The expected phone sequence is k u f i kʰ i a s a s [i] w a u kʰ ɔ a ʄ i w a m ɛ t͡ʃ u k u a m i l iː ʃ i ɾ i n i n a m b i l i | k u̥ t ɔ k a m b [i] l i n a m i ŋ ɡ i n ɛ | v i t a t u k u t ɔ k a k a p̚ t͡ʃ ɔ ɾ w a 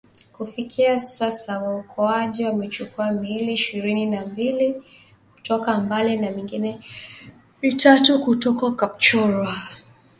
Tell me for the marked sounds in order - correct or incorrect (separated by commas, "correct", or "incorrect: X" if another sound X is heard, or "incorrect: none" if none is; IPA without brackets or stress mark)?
incorrect: a, incorrect: a